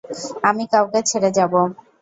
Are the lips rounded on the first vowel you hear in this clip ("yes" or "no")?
no